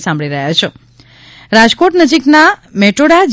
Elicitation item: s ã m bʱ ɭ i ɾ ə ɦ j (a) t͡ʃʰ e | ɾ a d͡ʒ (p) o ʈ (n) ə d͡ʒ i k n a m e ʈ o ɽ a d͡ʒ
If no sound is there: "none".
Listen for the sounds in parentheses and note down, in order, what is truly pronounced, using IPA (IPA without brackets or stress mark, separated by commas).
a, k, n